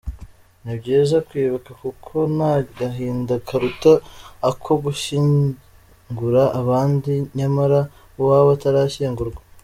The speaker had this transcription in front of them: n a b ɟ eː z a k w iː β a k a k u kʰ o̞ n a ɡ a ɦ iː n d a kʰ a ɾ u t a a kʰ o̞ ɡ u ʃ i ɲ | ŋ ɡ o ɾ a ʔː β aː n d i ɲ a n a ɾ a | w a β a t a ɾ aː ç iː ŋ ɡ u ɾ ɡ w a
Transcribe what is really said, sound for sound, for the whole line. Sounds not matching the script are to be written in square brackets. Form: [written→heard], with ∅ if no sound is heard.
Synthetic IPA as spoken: n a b ɟ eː z a k w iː β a k a k u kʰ o̞ n a ɡ a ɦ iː n d a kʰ a ɾ u t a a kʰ o̞ ɡ u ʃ i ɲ | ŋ ɡ [o→u] ɾ a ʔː β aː n d i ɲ a [n→m] a ɾ a | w a β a t a ɾ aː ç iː ŋ ɡ u ɾ ɡ w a